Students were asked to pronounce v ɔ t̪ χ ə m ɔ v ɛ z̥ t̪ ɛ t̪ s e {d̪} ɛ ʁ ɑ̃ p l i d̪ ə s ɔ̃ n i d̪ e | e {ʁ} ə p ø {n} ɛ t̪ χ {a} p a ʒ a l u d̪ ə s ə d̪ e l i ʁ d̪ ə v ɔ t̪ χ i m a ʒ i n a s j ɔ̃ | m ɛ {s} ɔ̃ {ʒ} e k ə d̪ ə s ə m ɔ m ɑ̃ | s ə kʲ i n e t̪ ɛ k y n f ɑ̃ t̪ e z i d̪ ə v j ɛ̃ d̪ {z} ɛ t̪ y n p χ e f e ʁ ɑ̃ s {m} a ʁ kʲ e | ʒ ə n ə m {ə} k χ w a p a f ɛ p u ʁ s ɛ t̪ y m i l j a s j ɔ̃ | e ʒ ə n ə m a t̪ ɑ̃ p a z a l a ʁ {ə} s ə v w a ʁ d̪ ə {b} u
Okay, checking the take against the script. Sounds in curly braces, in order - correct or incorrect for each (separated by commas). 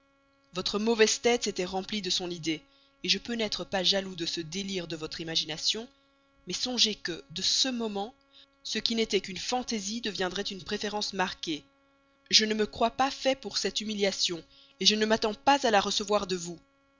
incorrect, incorrect, correct, incorrect, correct, correct, incorrect, correct, correct, correct, incorrect